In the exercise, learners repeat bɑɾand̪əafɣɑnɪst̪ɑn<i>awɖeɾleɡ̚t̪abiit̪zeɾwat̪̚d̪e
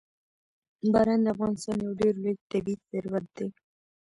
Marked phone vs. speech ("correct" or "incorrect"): incorrect